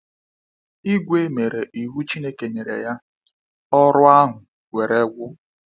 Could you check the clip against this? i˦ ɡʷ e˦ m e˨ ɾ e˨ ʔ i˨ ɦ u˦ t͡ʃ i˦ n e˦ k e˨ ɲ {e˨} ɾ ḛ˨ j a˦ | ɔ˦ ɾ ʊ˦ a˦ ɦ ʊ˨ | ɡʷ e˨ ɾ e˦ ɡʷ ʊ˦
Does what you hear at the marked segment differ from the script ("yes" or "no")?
no